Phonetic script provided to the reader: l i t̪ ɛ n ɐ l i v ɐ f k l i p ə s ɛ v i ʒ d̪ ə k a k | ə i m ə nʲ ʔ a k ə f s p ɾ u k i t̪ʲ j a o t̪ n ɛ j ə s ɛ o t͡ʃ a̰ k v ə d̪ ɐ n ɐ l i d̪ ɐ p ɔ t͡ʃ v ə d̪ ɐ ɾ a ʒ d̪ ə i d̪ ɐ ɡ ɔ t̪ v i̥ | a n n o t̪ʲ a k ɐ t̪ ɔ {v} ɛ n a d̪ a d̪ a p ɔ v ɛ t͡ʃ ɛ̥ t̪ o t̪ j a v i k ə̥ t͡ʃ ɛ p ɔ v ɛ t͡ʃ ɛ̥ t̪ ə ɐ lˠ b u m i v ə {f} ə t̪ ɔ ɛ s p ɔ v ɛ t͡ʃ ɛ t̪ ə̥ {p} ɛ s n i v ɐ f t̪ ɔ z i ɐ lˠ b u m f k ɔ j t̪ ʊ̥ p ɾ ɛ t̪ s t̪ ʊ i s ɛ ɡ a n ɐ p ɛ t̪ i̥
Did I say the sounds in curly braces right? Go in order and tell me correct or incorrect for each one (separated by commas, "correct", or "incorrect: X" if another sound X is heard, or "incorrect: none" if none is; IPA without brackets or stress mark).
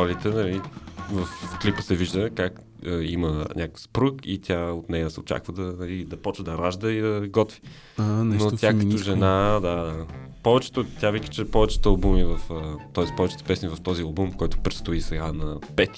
incorrect: ʒ, correct, correct